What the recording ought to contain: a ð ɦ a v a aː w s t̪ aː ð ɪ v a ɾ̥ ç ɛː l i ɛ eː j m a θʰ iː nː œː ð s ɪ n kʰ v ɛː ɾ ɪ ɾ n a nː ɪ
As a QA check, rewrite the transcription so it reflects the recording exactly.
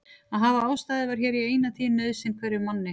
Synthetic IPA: a ð ɦ a v a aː w s t̪ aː ð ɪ v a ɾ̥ ç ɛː ɾ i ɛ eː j n a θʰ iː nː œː ð s ɪ n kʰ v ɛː ɾ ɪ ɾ m a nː ɪ